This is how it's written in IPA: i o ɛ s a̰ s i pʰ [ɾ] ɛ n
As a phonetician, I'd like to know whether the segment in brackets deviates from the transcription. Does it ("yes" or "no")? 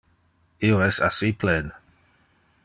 yes